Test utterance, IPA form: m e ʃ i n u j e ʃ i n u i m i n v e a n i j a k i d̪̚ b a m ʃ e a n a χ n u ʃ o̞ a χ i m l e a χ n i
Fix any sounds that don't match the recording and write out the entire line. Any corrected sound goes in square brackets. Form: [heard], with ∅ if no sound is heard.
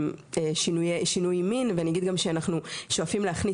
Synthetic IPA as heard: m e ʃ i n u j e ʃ i n u [j] m i n v e a n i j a [ɡ] i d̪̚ [ɡ] a m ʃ e a n a χ n u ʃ o̞ a [f] i m l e a χ n i